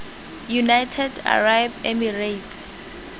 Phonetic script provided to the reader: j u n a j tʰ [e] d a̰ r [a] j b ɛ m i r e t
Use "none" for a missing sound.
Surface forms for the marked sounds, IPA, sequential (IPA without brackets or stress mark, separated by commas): ɛ, a